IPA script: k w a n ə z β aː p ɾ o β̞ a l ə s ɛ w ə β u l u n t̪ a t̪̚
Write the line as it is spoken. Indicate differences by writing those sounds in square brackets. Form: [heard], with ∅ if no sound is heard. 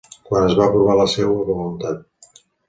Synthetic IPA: k w a n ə z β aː p ɾ [u] β̞ a l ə s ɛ w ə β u l u n t̪ a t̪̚